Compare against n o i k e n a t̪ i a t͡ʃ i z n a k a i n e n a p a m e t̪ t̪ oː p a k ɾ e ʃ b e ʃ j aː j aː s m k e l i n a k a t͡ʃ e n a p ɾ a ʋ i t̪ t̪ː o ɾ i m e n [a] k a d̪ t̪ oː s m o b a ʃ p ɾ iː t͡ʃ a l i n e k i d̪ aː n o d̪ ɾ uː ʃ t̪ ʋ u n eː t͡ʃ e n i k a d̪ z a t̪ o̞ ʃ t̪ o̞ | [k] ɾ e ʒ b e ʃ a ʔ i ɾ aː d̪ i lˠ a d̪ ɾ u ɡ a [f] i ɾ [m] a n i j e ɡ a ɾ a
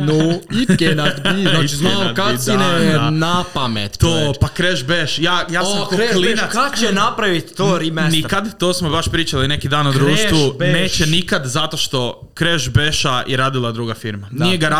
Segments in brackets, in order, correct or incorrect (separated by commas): incorrect, correct, correct, correct